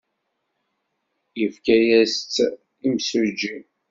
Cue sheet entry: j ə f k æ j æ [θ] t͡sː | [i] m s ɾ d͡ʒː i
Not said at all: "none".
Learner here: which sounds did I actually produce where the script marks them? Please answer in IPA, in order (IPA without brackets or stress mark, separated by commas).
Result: s, i